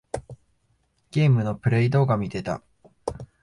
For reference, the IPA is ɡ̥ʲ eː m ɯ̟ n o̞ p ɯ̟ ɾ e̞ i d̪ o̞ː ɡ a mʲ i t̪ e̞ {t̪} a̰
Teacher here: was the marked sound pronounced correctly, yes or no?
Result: yes